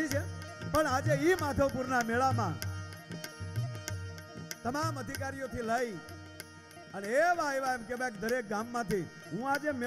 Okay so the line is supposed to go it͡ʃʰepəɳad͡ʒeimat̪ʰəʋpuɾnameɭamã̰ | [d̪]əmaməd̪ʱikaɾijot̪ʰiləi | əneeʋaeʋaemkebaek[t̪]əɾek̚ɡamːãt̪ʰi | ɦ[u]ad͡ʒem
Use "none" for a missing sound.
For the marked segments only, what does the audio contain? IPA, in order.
t̪, d̪, ũ

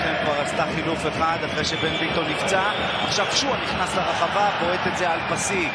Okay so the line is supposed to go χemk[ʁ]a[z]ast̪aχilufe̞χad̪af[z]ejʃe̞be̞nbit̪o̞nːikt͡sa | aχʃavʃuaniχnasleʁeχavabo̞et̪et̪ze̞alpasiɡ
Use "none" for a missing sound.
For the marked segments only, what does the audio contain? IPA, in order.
v, ʁ, ʁ

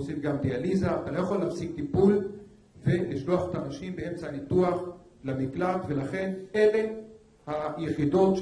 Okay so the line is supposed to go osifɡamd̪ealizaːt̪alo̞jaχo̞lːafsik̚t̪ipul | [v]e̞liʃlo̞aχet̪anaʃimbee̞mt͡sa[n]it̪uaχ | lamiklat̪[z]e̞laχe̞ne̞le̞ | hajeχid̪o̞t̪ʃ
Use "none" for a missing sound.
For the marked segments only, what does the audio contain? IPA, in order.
v, n, v

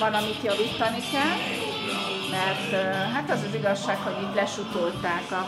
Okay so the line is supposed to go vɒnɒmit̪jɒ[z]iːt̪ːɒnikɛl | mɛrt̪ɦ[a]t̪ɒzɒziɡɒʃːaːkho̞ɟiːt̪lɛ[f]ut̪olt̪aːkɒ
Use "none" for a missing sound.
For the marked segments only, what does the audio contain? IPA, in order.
v, a, ʃ

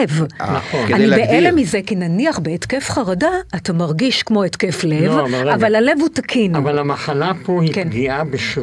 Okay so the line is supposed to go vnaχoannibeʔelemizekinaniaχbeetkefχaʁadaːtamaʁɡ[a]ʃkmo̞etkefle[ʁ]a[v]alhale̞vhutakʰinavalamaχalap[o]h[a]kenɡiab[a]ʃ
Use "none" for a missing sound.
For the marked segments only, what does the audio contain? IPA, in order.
i, v, v, o, i, e

